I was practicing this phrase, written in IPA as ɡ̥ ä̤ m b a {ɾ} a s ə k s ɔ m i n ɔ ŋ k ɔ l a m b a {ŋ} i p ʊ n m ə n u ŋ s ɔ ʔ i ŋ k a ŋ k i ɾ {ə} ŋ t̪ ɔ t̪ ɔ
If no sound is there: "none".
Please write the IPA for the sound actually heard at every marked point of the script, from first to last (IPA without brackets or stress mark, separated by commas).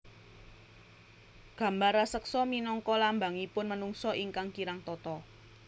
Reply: ɾ, ŋ, a